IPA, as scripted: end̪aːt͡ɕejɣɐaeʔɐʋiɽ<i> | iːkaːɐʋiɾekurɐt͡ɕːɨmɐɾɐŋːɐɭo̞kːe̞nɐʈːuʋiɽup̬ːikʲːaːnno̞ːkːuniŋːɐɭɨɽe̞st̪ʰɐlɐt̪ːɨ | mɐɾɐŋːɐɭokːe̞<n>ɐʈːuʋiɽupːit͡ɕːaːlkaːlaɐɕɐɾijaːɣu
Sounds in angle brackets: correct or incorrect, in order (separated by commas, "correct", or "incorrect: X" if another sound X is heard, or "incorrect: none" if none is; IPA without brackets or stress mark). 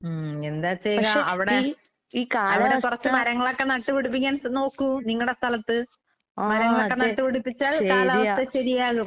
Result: incorrect: e, correct